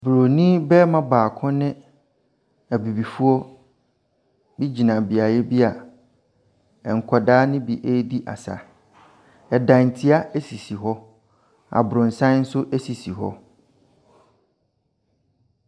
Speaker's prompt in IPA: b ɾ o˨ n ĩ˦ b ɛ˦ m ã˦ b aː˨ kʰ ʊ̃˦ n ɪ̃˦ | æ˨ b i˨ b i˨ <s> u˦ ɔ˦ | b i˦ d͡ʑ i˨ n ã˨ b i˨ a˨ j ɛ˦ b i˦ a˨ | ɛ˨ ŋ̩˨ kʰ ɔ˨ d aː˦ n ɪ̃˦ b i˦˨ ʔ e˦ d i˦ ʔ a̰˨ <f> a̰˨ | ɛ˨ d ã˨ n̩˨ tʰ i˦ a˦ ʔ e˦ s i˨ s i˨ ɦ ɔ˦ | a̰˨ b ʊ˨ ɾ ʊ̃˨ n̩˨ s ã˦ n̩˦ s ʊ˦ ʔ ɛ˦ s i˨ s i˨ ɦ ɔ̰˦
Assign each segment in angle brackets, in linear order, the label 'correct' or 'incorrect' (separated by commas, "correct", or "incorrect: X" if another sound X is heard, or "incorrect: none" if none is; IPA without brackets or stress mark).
incorrect: f, incorrect: s